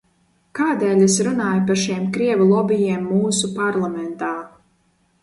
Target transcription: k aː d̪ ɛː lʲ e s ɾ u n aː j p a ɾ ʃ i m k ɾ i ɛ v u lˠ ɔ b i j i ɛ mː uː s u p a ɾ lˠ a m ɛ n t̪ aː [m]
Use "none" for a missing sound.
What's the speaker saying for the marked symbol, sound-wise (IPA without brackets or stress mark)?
none